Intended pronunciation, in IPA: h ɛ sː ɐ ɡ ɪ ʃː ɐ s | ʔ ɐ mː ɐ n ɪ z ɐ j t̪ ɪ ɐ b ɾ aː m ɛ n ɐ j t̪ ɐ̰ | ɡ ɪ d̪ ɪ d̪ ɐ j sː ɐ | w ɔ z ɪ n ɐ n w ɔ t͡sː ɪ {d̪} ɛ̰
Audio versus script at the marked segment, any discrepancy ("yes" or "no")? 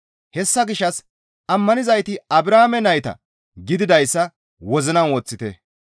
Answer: yes